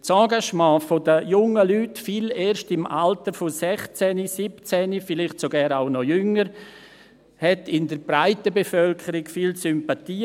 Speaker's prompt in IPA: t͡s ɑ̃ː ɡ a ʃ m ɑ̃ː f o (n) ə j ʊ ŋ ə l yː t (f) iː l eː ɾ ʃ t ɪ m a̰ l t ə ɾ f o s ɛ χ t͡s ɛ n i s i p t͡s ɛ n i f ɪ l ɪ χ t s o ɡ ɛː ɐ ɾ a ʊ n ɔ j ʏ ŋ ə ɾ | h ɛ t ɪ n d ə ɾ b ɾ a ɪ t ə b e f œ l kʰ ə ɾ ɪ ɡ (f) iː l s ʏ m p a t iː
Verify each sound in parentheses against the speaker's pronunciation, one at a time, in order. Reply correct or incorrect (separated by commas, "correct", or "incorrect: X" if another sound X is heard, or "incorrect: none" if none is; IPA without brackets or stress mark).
incorrect: d, correct, correct